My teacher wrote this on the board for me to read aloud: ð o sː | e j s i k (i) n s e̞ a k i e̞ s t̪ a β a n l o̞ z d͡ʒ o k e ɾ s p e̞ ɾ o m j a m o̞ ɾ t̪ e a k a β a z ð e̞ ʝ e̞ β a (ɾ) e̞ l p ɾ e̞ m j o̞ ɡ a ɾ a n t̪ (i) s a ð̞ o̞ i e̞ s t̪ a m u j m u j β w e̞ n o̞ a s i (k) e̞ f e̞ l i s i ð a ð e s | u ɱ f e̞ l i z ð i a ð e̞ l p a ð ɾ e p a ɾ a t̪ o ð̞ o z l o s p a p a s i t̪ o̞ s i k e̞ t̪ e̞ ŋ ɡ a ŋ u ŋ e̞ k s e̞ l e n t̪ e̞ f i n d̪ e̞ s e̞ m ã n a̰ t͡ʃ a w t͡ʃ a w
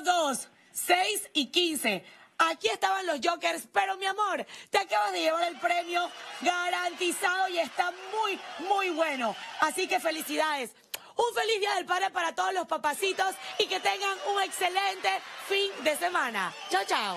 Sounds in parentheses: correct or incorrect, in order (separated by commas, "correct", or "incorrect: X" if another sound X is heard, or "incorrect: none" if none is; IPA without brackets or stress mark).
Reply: correct, correct, correct, correct